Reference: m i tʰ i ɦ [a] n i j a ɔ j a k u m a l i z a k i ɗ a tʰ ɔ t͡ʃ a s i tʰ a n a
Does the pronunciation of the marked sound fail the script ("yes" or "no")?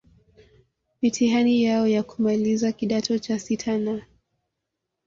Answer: no